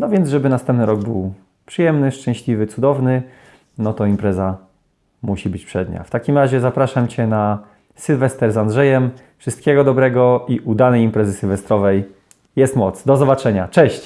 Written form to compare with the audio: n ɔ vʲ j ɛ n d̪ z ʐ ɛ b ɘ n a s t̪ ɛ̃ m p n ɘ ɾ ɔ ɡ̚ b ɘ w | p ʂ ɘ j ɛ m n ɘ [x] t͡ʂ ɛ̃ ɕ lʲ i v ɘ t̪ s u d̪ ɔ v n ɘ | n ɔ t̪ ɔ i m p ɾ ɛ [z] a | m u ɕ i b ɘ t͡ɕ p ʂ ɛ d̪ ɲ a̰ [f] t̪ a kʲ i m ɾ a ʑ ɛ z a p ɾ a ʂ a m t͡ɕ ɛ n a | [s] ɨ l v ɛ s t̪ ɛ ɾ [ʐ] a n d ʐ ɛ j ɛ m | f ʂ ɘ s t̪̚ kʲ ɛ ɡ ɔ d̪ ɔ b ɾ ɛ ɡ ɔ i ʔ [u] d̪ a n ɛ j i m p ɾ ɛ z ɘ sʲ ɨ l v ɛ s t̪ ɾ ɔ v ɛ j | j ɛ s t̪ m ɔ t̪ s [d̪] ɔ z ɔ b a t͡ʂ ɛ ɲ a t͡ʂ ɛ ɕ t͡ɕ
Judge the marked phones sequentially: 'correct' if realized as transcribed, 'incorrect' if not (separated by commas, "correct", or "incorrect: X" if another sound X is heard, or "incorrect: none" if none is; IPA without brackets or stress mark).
incorrect: ʂ, correct, correct, correct, incorrect: z, correct, correct